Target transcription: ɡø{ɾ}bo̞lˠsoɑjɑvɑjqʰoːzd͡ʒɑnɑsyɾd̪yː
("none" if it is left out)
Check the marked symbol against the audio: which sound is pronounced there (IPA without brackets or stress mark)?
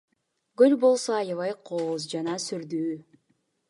l